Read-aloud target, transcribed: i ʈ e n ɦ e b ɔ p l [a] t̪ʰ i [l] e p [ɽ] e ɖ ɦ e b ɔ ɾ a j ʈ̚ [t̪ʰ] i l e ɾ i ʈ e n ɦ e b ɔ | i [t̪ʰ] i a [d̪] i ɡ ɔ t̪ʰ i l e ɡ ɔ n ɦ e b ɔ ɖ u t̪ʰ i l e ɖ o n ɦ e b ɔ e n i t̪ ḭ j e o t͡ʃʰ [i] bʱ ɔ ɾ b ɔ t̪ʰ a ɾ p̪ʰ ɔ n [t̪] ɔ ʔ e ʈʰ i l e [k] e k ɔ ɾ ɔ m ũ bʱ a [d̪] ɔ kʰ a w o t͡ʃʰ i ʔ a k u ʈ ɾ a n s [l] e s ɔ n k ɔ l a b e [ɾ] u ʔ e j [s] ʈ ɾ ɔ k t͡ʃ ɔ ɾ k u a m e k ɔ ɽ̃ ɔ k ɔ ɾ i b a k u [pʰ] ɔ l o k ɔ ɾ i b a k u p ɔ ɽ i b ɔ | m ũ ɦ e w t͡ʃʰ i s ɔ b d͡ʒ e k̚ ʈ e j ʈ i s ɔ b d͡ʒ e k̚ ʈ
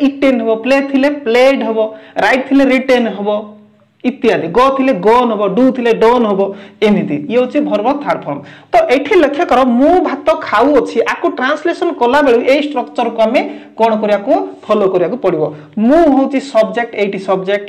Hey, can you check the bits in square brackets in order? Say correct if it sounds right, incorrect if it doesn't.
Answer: incorrect: e, correct, incorrect: l, correct, incorrect: t̪, correct, correct, correct, incorrect: kʰ, incorrect: t̪, correct, incorrect: ɭ, correct, correct

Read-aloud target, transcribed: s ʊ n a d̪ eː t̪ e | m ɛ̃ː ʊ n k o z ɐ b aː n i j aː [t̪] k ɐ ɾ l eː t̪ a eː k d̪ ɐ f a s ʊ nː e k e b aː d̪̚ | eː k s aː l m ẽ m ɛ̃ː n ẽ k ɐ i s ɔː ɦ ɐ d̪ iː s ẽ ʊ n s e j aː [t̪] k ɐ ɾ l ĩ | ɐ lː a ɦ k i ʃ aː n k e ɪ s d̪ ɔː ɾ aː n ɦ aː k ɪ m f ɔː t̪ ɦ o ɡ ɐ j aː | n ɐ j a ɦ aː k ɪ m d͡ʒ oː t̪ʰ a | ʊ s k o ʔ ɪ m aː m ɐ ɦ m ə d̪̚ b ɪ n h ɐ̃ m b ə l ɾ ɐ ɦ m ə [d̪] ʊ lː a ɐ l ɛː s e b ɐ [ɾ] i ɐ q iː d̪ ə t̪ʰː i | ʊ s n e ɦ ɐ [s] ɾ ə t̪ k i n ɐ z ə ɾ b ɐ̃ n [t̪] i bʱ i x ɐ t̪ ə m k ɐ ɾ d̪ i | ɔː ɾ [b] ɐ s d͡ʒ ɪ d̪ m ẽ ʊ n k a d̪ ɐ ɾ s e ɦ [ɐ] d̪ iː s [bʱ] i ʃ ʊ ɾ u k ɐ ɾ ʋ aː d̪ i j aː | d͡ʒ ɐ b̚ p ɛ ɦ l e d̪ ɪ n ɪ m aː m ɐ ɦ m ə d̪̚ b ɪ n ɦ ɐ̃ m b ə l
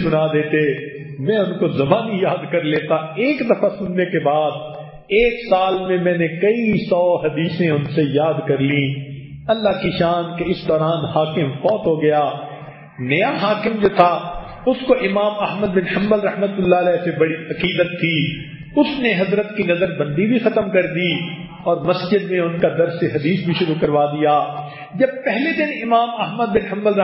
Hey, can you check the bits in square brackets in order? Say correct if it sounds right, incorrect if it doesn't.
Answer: incorrect: d̪, incorrect: d̪, incorrect: t̪, incorrect: ɽ, incorrect: z, incorrect: d̪, incorrect: m, correct, correct

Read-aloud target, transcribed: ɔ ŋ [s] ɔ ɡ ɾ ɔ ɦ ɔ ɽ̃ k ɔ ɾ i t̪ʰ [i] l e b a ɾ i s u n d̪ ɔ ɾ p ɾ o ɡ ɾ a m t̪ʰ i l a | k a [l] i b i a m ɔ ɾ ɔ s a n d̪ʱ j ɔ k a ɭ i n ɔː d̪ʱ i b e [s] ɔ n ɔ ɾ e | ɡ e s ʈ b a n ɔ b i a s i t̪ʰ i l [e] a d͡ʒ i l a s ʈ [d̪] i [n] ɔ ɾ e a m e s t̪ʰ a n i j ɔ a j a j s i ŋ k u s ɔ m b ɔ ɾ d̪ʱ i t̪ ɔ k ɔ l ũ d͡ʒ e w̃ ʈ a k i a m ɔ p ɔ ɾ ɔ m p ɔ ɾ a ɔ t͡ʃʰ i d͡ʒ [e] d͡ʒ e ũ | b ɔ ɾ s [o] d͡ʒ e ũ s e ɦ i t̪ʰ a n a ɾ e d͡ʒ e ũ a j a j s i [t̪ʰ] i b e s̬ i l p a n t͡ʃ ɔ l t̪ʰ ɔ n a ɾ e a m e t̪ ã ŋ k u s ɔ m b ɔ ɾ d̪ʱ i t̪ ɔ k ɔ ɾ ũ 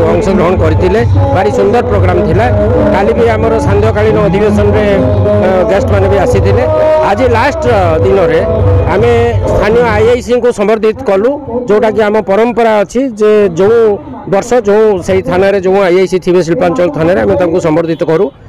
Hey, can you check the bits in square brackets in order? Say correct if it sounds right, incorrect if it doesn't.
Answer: correct, correct, correct, correct, correct, correct, correct, correct, incorrect: ɔ, correct

